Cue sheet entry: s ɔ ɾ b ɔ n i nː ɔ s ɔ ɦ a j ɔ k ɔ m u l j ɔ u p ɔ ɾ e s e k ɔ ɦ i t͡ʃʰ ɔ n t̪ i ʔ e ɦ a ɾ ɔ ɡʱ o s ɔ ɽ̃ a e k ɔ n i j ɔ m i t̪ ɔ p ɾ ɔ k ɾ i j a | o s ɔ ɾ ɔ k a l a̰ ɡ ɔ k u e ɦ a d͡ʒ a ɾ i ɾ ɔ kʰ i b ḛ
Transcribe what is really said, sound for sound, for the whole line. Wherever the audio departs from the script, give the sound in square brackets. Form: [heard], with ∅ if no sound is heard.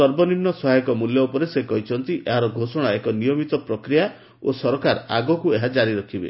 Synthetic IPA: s ɔ ɾ b ɔ n i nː ɔ s ɔ ɦ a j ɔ k ɔ m u l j ɔ u p ɔ ɾ e s e k ɔ ɦ i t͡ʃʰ ɔ n t̪ i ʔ e ɦ a ɾ ɔ ɡʱ o s ɔ ɽ̃ a e k ɔ n i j ɔ m i t̪ ɔ p ɾ ɔ k ɾ i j a | o s ɔ ɾ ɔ k a [ɾ] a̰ ɡ ɔ k u e ɦ a d͡ʒ a ɾ i ɾ ɔ kʰ i b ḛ